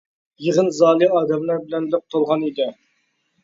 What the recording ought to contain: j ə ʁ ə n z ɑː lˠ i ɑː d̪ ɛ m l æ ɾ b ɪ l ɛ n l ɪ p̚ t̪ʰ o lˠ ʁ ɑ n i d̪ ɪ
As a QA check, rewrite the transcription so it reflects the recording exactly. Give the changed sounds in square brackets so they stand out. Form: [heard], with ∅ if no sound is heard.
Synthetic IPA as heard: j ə ʁ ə n z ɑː lˠ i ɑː d̪ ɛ m l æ ɾ b ɪ l ɛ n l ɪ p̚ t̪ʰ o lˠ ʁ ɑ n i d̪ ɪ